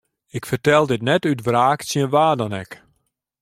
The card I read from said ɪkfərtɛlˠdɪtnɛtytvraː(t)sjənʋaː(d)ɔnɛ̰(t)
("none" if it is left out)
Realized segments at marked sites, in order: k, d, k

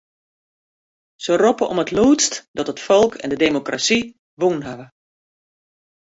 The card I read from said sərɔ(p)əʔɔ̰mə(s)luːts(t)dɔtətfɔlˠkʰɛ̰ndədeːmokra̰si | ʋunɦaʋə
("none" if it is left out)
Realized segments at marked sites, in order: p, t, t

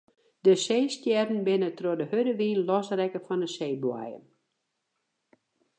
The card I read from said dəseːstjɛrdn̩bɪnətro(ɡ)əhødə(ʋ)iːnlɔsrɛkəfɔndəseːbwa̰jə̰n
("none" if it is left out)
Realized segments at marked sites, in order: d, ʋ

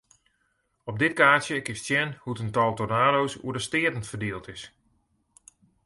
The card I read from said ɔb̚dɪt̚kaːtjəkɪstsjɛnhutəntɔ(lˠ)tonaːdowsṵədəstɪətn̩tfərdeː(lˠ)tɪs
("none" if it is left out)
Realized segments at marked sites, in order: lˠ, lˠ

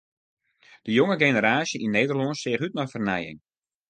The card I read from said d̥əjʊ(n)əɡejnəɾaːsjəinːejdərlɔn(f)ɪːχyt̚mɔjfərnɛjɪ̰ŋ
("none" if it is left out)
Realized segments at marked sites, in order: ŋ, s

